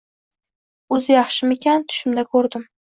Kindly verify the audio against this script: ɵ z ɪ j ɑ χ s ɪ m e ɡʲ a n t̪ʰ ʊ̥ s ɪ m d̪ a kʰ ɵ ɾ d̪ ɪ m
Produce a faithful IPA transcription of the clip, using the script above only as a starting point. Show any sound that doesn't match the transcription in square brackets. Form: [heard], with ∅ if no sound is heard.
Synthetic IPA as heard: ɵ z ɪ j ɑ χ [ʃ] ɪ m e [kʲ] a n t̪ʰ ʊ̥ [ʃ] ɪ m d̪ a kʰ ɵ ɾ d̪ ɪ m